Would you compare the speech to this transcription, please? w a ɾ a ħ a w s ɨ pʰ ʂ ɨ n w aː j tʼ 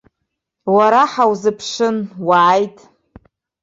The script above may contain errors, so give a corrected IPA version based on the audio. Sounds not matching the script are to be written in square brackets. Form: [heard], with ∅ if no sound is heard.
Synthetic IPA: w a ɾ a ħ a w [z] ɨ pʰ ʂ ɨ n w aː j tʼ